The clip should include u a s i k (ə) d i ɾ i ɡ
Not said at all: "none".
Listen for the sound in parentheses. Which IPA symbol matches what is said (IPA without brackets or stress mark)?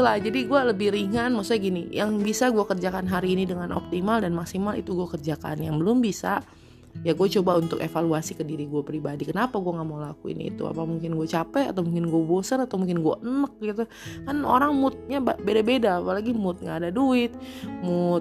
ə